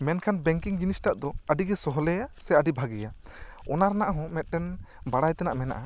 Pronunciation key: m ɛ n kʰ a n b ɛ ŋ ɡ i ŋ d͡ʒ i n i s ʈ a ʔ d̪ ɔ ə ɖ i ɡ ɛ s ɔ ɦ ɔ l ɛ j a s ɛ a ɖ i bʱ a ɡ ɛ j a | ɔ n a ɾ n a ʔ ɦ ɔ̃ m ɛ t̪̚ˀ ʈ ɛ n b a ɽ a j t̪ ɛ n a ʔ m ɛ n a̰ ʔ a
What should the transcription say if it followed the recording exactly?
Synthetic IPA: m ɛ n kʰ a n b ɛ ŋ k i ŋ d͡ʒ i n i s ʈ a ʔ d̪ ɔ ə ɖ i ɡ ɛ s ɔ ɦ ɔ l ɛ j a s ɛ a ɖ i bʱ a ɡ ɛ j a | ɔ n a ɾ n a ʔ ɦ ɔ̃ m ɛ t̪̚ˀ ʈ ɛ n b a ɽ a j t̪ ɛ n a ʔ m ɛ n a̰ ʔ a

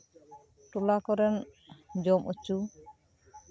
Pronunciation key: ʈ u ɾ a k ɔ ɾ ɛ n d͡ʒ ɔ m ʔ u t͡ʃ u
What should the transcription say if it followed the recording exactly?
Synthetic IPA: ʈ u l a k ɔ ɾ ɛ n d͡ʒ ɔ m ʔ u t͡ʃ u

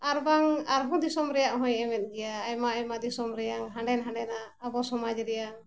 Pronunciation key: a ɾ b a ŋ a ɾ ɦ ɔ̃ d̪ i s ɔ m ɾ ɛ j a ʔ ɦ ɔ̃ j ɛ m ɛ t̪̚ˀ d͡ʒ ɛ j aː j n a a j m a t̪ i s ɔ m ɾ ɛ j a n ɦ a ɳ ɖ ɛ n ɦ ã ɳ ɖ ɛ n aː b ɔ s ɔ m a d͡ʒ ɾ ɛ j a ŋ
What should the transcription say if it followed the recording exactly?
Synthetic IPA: a ɾ b a ŋ a ɾ ɦ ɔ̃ d̪ i s ɔ m ɾ ɛ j a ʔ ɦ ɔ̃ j ɛ m ɛ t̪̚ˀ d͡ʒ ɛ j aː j m a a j m a d̪ i s ɔ m ɾ ɛ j a ŋ ɦ a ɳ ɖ ɛ n ɦ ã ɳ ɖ ɛ n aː b ɔ s ɔ m a d͡ʒ ɾ ɛ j a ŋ

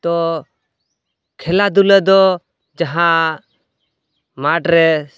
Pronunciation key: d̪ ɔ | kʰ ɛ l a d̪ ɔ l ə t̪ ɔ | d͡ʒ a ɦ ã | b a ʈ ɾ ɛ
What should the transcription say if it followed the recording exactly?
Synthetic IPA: t̪ ɔ | kʰ ɛ l a d̪ u l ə d̪ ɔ | d͡ʒ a ɦ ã | m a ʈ ɾ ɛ

